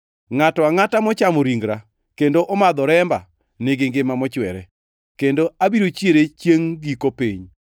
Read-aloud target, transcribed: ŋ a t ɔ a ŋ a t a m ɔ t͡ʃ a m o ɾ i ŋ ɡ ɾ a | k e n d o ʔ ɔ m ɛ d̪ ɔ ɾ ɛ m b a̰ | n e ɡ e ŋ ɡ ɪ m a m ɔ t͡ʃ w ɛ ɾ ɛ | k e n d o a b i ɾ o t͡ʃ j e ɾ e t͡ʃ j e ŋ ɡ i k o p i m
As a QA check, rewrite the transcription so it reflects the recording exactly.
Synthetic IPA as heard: ŋ a t ɔ a ŋ a t a m ɔ t͡ʃ a m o ɾ i ŋ ɡ ɾ a | k e n d o ʔ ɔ m a d̪ ɔ ɾ ɛ m b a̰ | n e ɡ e ŋ ɡ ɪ m a m ɔ t͡ʃ w ɛ ɾ ɛ | k e n d o a b i ɾ o t͡ʃ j e ɾ e t͡ʃ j e ŋ ɡ i k o p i ɲ